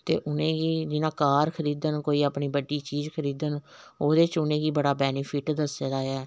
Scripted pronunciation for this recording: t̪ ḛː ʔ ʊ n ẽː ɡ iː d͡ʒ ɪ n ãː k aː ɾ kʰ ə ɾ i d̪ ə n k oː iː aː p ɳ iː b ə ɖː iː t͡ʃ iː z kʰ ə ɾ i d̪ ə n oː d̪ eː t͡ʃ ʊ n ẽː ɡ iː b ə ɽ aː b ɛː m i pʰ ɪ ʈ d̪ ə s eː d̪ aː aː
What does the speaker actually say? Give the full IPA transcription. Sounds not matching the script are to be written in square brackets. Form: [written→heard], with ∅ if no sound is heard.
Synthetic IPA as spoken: t̪ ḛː ʔ ʊ n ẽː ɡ iː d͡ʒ ɪ n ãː k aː ɾ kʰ ə ɾ [i→iː] d̪ ə n k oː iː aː p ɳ iː b ə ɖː iː t͡ʃ iː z kʰ ə ɾ [i→iː] d̪ ə n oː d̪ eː t͡ʃ ʊ n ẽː ɡ iː b ə ɽ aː b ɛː [m→n] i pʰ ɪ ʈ d̪ ə s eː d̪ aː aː